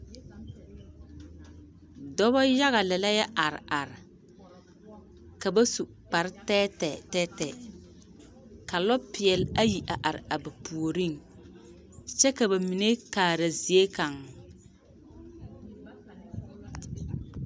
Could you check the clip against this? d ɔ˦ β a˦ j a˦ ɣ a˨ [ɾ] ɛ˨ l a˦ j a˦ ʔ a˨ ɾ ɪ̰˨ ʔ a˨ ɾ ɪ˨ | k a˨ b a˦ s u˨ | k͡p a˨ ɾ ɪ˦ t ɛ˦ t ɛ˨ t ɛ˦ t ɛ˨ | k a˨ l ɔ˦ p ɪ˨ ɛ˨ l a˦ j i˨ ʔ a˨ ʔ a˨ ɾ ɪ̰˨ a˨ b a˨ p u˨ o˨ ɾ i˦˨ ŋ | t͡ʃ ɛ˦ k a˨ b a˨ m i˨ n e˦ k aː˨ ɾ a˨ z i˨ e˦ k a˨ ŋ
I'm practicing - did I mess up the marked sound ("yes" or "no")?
yes